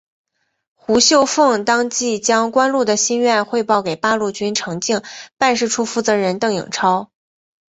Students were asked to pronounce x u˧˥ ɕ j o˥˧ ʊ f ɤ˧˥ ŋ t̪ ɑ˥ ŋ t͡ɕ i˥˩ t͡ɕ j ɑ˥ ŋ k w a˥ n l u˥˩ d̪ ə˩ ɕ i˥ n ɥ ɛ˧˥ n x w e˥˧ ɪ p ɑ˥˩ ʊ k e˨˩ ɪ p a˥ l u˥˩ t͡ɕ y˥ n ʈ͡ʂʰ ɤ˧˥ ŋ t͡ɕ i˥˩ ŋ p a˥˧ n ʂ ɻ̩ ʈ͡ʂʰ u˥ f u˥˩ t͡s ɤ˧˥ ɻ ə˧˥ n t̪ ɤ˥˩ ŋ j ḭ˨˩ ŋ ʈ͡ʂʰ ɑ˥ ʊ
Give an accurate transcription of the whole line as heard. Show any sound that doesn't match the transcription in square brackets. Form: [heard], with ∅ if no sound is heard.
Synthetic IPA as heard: x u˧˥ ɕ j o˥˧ ʊ f [ɤ˥˩] ŋ t̪ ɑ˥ ŋ t͡ɕ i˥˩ t͡ɕ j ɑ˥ ŋ k w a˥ n l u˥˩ d̪ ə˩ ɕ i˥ n ɥ [ɛ˥˧] n x w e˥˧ ɪ p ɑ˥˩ ʊ k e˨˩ ɪ p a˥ l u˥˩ t͡ɕ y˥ n ʈ͡ʂʰ ɤ˧˥ ŋ t͡ɕ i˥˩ ŋ p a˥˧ n ʂ ɻ̩ ʈ͡ʂʰ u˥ f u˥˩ t͡s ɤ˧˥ ɻ ə˧˥ n t̪ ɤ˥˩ ŋ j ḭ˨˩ ŋ ʈ͡ʂʰ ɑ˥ ʊ